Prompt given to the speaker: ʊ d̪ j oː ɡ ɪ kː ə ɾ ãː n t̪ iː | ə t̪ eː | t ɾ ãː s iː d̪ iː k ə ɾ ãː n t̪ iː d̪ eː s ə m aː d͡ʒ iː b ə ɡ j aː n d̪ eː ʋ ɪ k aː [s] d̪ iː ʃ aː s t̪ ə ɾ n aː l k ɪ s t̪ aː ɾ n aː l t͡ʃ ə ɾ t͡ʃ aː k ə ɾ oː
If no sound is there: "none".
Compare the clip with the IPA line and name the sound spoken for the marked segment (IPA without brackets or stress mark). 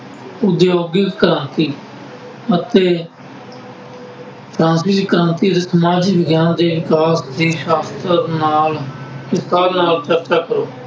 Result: s